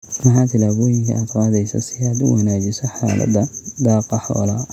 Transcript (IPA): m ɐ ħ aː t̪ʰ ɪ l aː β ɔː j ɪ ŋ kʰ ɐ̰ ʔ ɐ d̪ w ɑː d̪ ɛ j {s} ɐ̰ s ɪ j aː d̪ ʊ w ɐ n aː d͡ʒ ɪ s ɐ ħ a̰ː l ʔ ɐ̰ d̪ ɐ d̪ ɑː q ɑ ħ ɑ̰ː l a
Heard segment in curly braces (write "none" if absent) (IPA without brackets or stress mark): s